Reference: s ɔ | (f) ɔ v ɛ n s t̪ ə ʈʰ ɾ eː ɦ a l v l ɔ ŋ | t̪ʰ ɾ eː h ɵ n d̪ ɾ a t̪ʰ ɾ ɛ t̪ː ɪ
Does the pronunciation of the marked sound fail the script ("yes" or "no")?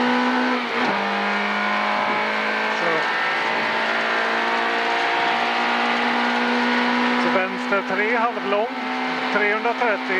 yes